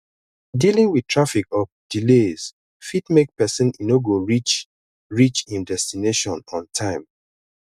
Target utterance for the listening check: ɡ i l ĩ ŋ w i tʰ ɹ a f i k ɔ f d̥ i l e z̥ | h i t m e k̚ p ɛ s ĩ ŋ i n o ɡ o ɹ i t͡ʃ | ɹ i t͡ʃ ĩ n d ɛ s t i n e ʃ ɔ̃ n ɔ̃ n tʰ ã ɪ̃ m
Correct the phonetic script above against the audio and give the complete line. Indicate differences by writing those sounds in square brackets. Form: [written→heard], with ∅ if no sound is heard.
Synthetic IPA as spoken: [ɡ→d] i l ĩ ŋ w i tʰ ɹ a f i k ɔ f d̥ i l e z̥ | [h→f] i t m e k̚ p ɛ s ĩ [ŋ→n] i n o ɡ o ɹ i t͡ʃ | ɹ i t͡ʃ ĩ n d ɛ s t i n e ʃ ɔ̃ n ɔ̃ n tʰ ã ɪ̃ m